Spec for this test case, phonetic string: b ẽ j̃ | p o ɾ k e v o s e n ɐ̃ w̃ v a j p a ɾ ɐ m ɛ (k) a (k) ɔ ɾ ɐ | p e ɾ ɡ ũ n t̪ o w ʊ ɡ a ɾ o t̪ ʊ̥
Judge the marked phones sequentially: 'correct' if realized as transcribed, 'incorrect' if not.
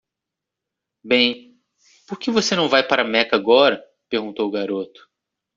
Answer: correct, incorrect

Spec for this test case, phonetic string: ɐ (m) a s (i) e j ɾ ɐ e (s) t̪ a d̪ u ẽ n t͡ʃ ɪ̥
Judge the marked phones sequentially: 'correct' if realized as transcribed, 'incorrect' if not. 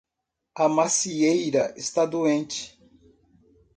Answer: correct, correct, correct

